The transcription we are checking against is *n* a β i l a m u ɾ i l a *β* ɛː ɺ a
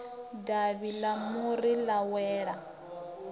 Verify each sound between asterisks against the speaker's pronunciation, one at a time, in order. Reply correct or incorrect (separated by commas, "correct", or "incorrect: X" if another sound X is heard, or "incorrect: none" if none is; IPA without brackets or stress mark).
incorrect: d, incorrect: w